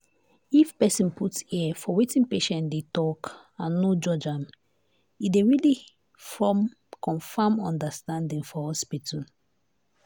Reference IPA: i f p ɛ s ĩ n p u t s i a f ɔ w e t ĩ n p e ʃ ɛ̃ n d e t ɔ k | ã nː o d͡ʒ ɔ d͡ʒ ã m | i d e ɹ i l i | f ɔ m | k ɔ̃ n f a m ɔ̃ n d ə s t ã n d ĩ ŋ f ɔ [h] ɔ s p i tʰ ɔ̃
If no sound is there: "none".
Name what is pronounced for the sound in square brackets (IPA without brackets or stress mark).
h